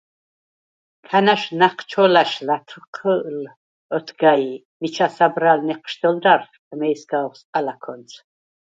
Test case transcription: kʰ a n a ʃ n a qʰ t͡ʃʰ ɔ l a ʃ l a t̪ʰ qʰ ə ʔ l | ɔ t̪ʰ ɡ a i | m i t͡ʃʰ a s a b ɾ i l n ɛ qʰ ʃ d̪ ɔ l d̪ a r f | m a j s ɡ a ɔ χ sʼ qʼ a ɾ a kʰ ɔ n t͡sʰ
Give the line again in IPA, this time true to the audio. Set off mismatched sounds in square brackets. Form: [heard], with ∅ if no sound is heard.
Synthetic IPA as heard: kʰ a n a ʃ n a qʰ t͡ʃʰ ɔ l a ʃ l a t̪ʰ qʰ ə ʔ l | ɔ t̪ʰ ɡ a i | m i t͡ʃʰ a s a b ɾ [a] l n ɛ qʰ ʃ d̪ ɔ l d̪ a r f | m [ɛ] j s ɡ a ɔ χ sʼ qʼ a [l] a kʰ ɔ n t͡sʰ